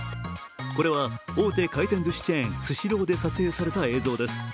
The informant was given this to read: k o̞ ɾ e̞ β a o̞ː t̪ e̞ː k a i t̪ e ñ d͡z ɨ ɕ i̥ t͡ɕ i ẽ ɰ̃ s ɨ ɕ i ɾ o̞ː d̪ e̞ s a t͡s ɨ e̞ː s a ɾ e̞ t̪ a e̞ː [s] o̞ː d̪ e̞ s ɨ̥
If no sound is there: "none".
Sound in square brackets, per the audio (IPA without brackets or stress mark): z